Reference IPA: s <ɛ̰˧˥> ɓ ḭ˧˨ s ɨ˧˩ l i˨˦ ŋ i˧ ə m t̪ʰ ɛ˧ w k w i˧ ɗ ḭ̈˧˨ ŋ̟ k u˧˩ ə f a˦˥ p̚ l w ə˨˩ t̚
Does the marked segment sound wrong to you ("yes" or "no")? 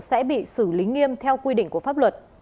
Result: no